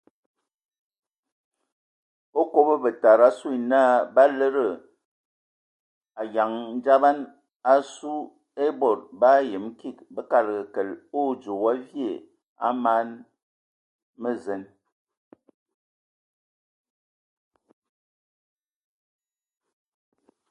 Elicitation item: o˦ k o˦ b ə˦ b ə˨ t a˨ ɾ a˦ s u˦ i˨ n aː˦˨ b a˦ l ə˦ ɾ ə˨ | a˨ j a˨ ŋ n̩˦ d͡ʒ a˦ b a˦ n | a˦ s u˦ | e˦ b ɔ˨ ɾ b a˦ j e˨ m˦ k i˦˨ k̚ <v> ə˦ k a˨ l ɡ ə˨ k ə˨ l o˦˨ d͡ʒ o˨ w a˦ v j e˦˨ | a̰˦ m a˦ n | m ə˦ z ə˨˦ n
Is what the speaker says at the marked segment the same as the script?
no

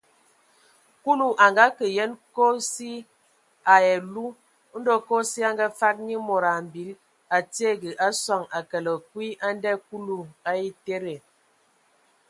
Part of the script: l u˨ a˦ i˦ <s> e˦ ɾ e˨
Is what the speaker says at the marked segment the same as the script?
no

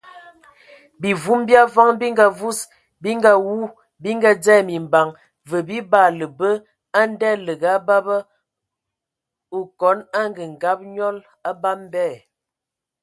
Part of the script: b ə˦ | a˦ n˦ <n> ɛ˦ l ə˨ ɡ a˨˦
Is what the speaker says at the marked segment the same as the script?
no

